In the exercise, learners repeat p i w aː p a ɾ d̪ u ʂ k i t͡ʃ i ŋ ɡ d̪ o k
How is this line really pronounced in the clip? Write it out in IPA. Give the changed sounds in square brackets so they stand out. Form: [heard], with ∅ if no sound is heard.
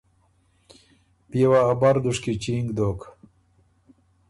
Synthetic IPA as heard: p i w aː [b] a ɾ d̪ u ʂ k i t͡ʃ i ŋ ɡ d̪ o k